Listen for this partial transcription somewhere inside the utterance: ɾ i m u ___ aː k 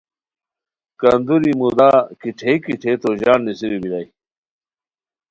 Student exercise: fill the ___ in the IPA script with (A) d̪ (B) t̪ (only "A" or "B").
A